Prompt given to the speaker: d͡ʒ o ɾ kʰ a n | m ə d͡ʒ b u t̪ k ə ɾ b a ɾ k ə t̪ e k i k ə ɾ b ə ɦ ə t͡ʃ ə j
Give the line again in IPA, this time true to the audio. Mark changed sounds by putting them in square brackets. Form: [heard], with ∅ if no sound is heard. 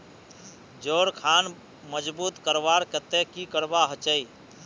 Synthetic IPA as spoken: d͡ʒ o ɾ kʰ a n | m ə d͡ʒ b u t̪ k ə ɾ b a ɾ k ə t̪ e k i k ə ɾ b [a] ɦ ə t͡ʃ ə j